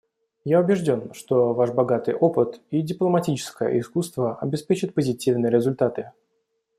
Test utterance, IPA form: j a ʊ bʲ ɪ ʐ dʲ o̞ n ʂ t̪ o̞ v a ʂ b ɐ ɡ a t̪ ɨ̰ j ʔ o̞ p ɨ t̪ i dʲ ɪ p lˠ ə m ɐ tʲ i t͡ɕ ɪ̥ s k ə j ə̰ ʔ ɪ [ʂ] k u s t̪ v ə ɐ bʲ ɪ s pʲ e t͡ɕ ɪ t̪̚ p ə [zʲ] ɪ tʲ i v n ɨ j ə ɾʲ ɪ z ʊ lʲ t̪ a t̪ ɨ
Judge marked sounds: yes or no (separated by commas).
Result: no, yes